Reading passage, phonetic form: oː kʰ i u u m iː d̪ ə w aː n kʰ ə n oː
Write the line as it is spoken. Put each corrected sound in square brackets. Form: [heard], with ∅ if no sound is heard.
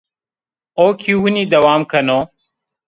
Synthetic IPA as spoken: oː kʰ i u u [n] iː d̪ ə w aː [m] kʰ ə n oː

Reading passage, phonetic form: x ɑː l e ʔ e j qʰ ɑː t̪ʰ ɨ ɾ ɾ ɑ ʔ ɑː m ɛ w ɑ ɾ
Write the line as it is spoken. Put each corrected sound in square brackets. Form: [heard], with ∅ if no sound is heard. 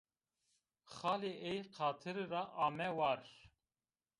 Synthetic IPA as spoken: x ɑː l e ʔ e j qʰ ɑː t̪ʰ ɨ ɾ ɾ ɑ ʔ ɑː m ɛ w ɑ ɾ

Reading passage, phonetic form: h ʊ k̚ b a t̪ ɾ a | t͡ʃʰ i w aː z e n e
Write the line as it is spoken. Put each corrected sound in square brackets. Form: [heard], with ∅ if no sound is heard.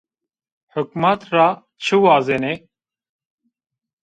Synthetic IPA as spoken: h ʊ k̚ [m] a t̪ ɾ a | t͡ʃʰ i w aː z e n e

